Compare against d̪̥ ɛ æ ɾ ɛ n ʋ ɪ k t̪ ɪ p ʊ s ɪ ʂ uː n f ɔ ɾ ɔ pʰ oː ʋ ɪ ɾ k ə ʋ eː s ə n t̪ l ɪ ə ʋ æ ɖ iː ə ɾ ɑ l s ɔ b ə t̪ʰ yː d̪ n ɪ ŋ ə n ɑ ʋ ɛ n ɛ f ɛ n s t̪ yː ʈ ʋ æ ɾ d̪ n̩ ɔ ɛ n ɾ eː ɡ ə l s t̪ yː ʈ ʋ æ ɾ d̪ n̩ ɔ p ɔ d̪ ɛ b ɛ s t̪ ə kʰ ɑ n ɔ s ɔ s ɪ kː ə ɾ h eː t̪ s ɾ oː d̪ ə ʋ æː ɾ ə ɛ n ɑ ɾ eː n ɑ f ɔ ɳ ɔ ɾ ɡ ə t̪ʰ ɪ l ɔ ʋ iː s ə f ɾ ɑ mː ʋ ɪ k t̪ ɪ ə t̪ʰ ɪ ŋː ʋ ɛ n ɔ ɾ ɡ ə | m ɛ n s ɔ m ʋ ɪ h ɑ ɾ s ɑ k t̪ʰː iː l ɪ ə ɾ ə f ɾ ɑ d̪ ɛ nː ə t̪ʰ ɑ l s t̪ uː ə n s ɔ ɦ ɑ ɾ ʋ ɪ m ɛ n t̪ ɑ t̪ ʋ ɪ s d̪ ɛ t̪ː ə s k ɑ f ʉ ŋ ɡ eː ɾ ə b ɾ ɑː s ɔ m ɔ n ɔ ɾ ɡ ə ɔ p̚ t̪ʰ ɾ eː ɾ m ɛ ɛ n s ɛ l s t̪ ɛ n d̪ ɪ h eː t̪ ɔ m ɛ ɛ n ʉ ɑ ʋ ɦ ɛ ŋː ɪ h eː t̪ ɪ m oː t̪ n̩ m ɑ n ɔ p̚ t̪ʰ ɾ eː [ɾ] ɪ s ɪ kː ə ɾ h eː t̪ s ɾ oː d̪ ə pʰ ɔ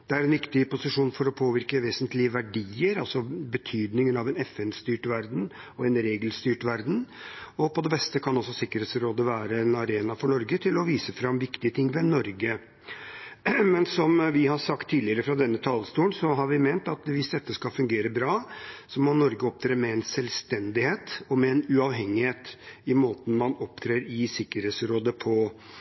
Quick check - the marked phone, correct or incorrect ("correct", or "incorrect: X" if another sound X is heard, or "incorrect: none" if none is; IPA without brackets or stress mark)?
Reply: correct